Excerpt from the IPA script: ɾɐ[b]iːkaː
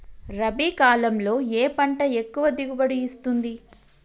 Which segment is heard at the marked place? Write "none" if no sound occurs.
b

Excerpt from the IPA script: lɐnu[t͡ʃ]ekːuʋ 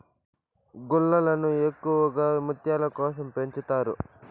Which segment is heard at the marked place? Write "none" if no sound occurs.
none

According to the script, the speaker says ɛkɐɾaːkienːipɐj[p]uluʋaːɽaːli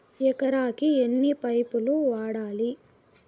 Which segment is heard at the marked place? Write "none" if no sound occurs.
p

